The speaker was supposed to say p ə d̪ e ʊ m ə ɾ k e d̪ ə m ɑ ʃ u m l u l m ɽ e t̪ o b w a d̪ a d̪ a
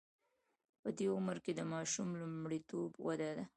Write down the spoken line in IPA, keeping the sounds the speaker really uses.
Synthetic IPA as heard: p ə d̪ e ʊ m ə ɾ k e d̪ ə m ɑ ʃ u m l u m ɽ i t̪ o b w a d̪ a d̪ a